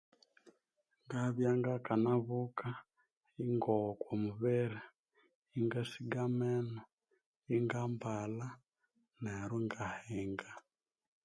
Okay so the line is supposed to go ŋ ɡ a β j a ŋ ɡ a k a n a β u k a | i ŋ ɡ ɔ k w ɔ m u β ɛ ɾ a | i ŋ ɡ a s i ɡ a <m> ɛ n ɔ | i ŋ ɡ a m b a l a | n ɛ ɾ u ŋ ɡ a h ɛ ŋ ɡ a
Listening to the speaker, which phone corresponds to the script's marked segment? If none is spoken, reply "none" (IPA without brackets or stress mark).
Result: m